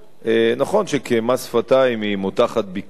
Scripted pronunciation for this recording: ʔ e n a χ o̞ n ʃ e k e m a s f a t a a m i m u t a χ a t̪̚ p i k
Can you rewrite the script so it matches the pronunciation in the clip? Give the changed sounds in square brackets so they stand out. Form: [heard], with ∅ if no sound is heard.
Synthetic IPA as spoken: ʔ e n a χ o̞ n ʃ e k e m a s f a t a [i] m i m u t a χ a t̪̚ [b] i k